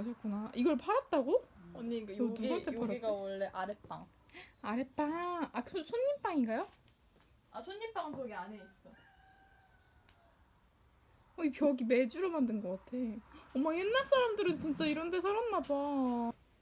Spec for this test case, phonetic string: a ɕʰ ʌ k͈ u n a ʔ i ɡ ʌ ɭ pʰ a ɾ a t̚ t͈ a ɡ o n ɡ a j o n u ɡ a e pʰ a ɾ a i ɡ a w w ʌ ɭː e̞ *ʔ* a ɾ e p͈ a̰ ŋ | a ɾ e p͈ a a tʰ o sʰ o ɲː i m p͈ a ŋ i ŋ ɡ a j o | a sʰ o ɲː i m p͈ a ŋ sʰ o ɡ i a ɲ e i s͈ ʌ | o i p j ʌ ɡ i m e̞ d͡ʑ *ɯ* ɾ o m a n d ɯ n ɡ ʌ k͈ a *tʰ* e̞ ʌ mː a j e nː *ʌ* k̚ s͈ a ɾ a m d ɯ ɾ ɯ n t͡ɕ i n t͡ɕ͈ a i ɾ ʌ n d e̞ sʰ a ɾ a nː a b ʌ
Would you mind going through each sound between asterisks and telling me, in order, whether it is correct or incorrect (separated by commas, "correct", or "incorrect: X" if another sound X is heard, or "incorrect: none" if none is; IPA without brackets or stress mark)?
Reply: correct, incorrect: u, correct, incorrect: a